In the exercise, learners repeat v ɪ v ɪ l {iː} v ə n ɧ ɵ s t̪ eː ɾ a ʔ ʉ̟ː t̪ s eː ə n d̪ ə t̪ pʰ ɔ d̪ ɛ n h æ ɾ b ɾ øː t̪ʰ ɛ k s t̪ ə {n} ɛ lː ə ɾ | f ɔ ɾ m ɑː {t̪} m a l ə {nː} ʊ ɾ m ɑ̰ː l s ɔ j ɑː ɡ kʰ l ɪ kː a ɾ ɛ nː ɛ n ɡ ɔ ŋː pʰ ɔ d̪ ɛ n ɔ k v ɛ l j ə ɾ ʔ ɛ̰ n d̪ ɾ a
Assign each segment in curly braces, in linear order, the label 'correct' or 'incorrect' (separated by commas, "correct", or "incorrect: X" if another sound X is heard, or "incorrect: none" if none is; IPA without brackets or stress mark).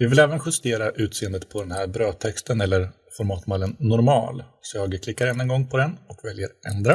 incorrect: ɛː, correct, correct, correct